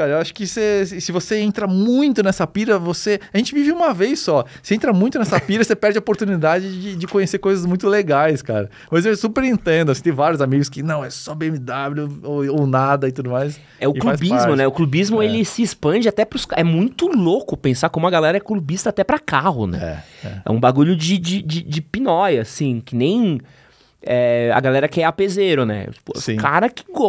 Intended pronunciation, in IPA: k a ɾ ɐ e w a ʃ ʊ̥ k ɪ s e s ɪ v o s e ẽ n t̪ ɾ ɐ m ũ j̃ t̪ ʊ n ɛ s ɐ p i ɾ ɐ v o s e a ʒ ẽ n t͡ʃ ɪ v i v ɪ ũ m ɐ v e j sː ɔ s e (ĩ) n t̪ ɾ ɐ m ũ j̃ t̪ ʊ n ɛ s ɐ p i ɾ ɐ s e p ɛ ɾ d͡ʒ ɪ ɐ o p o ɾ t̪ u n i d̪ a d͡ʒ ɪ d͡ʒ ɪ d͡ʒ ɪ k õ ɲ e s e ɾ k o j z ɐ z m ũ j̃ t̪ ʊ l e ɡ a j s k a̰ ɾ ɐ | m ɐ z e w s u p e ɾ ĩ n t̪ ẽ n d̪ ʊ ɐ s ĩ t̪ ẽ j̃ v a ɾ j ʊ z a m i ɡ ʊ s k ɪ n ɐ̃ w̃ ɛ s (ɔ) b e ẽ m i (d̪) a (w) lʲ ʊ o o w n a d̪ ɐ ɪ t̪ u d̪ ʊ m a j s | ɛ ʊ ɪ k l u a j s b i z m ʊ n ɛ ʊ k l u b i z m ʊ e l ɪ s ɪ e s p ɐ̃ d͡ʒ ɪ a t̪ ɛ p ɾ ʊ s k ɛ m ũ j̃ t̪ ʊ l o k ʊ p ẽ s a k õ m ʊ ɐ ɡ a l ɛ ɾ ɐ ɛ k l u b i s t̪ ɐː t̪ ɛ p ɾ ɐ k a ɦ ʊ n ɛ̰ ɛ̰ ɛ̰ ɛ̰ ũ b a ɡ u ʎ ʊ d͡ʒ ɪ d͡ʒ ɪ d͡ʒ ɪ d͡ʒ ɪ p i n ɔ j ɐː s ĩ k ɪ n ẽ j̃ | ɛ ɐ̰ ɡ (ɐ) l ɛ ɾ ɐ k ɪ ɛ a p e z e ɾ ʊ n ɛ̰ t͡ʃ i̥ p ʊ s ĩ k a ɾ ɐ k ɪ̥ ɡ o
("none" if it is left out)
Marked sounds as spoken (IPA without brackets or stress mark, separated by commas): ẽ, ɔ, d̪, b, a